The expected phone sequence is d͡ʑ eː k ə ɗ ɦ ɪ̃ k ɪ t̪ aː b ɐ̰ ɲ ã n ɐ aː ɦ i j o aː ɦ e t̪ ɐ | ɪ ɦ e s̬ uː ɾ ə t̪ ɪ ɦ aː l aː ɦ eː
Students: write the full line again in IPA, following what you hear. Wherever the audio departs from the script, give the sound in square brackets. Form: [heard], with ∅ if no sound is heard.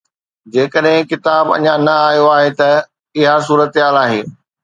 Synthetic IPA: d͡ʑ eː k ə ɗ ɦ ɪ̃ k ɪ t̪ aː b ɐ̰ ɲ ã n ɐ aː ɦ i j o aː ɦ e t̪ ɐ | ɪ ɦ [a] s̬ uː ɾ ə t̪ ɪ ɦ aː l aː ɦ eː